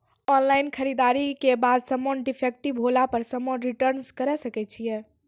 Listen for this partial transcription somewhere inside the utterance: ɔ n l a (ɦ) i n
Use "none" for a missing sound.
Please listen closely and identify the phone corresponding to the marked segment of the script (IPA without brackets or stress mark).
none